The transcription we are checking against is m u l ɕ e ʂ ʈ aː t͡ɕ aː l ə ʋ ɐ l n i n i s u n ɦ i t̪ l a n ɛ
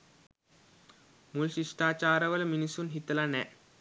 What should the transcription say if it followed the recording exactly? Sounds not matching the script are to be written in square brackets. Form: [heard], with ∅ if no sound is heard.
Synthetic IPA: m u l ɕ [i] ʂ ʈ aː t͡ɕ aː [ɾ] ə ʋ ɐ l [m] i n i s u n ɦ i t̪ l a n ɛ